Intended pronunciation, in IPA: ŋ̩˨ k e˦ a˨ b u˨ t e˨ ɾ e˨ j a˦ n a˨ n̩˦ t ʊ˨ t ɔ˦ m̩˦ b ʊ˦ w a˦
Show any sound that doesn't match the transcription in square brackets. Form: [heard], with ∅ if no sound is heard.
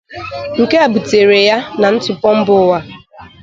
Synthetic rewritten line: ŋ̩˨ k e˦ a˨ b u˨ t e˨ ɾ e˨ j a˦ n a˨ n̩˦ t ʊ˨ [p] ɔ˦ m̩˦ b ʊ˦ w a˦